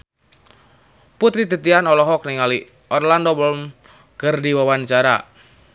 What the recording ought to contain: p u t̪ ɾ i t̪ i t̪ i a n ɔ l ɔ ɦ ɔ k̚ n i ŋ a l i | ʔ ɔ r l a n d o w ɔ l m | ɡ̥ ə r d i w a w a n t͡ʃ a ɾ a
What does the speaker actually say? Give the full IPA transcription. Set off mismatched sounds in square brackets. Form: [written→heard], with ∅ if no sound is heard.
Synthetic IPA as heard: p u t̪ ɾ i t̪ i t̪ i a n ɔ l ɔ ɦ ɔ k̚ n i ŋ a l i | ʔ ɔ r l a n d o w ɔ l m | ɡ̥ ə r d i w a w a n t͡ʃ a ɾ a